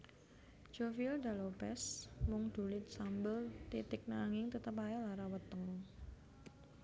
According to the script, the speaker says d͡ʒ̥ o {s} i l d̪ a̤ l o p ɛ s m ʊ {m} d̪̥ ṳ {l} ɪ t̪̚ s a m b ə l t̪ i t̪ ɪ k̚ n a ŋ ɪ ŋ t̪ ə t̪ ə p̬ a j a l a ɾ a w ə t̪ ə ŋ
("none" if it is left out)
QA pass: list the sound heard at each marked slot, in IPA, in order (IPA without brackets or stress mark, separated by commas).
f, ŋ, l